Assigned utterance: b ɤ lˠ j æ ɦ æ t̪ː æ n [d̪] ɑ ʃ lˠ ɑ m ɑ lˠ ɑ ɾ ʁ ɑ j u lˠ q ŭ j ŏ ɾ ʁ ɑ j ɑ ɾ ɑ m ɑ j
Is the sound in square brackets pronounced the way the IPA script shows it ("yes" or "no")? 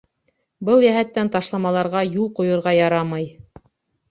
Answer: no